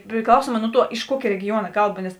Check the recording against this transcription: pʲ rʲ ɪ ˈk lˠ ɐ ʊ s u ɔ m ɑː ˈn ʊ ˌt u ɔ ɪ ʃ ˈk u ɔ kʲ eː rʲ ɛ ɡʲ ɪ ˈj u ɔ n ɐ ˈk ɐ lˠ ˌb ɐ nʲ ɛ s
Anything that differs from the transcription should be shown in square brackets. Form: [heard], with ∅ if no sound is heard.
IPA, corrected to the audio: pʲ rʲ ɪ ˈk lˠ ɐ ʊ s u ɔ m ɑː ˈn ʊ ˌt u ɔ ɪ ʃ ˈk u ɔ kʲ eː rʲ ɛ ɡʲ ɪ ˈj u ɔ n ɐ ˈk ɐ lˠ ˌb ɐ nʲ ɛ s